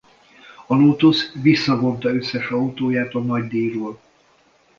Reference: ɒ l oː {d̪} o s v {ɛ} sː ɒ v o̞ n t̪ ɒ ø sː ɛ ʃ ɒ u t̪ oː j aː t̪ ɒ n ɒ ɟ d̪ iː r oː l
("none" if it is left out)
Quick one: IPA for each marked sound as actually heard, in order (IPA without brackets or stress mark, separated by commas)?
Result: t̪, i